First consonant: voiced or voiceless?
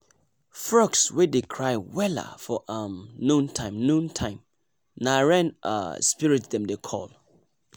voiceless